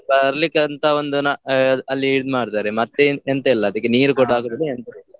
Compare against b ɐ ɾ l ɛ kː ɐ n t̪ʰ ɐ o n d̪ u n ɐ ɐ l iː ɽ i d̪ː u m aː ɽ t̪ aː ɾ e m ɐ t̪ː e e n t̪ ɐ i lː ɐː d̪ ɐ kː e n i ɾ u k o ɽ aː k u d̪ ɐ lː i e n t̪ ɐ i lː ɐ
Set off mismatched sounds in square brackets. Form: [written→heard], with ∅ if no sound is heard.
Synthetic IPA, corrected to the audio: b ɐ ɾ l [ɛ→i] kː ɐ n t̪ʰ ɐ o n d̪ u n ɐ ɐ [l→lː] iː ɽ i [d̪ː→d̪] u m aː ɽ t̪ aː ɾ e m ɐ t̪ː e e n t̪ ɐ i lː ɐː d̪ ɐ kː e n [i→iː] ɾ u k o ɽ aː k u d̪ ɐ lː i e n t̪ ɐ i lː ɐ